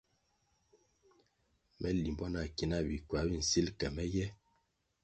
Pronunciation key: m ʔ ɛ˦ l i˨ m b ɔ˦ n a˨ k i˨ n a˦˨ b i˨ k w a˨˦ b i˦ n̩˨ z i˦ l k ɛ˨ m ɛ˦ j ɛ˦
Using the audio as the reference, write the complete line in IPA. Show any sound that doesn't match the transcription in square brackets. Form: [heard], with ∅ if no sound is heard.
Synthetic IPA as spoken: m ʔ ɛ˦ l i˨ m b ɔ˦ n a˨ k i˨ n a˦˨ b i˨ k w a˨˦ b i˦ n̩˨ [s] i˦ l k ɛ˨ m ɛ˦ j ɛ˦